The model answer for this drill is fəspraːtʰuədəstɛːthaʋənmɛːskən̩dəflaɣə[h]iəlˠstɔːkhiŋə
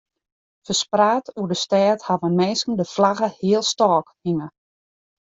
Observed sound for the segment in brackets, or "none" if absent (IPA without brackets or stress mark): h